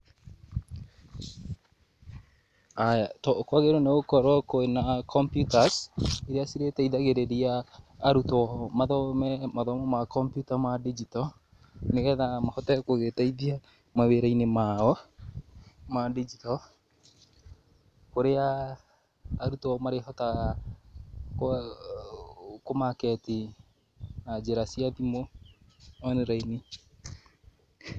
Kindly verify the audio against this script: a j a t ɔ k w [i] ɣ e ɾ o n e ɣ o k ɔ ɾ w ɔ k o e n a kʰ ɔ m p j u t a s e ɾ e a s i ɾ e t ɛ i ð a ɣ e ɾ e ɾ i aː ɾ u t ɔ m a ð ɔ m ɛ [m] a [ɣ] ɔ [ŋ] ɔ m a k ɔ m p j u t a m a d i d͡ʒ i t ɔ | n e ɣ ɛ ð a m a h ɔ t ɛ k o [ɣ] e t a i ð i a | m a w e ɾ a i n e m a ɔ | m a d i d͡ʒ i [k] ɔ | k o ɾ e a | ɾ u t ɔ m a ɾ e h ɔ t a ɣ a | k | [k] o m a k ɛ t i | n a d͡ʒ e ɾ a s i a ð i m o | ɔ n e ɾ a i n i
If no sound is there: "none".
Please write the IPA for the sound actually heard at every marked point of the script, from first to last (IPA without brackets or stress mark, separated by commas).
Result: a, m, ð, m, ɣ, t, k